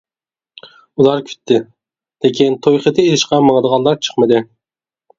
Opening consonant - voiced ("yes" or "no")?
yes